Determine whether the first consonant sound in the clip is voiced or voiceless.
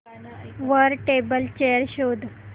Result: voiced